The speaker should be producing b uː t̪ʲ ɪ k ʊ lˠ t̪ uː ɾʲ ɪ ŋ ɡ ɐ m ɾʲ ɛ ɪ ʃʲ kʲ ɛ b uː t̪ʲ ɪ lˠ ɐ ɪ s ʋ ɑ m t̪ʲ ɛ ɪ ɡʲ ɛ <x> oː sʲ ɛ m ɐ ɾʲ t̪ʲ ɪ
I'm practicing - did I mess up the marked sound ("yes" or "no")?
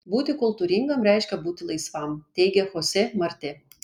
no